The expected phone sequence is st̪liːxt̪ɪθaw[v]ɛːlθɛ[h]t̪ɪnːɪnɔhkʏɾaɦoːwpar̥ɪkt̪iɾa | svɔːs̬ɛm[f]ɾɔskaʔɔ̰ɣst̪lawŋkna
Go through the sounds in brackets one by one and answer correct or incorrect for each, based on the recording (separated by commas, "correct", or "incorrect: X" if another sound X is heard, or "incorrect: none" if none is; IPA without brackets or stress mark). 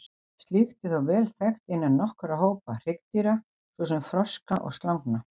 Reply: correct, incorrect: x, correct